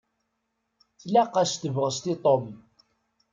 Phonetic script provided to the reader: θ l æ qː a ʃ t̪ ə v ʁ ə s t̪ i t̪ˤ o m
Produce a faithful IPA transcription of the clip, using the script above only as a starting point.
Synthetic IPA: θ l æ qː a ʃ t̪ ə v ʁ ə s t̪ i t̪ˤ o m